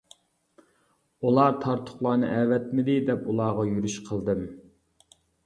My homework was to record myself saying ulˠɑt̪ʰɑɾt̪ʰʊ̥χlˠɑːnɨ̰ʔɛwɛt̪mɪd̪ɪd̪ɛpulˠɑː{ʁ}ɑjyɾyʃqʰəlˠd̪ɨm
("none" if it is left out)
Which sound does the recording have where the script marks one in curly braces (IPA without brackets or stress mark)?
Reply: ʁ